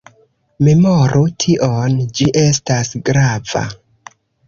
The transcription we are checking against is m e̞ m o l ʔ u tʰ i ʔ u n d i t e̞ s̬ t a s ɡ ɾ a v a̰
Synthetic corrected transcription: m e̞ m o ɾ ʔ u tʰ i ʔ o n d͡ʒ i ʔ e̞ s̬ t a s ɡ ɾ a v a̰